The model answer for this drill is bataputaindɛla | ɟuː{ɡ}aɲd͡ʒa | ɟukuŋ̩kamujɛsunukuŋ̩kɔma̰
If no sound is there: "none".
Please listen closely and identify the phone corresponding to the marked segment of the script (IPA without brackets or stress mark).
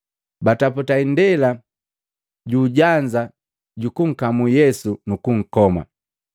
ɟ